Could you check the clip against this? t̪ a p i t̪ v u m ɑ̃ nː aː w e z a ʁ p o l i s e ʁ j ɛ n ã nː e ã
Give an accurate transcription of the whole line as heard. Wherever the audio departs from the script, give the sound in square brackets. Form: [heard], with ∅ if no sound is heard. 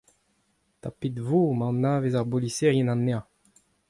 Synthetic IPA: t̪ a p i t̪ v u m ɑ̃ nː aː [v] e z a ʁ [b] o l i s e ʁ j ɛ n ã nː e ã